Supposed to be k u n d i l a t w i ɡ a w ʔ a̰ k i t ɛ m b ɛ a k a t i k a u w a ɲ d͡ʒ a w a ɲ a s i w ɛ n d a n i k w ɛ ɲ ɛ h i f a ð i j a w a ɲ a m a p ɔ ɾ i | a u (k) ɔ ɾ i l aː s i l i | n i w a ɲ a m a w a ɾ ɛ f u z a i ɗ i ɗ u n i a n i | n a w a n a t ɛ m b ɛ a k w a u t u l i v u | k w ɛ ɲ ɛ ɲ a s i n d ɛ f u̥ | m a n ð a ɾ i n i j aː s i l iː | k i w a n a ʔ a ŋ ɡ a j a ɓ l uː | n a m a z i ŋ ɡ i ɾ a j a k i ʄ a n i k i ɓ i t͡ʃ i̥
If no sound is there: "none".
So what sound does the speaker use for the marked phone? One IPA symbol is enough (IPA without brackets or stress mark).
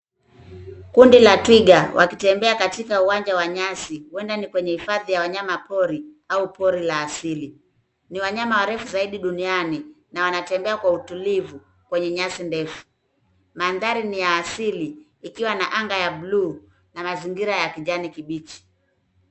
p